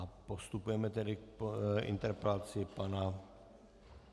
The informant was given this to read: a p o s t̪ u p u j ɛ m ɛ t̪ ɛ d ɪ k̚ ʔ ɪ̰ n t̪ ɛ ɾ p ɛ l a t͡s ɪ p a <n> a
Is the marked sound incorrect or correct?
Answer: correct